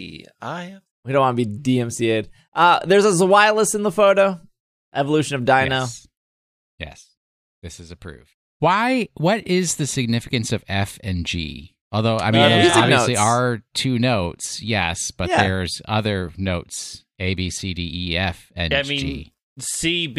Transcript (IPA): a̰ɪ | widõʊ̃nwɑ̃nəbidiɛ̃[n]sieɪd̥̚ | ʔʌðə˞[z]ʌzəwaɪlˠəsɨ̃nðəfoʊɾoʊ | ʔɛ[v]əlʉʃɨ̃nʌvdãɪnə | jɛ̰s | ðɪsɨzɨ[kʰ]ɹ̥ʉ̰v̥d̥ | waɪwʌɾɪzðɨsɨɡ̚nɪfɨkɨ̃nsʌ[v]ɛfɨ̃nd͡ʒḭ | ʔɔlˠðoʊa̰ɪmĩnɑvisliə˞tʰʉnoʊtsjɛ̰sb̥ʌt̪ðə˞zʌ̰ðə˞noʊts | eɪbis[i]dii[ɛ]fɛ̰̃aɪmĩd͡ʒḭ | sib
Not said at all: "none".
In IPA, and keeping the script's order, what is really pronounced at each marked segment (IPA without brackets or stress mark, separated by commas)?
m, z, v, pʰ, v, i, ɛ